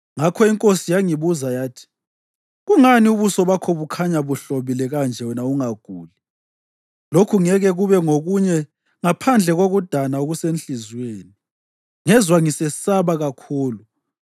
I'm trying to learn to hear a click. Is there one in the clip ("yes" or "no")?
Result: no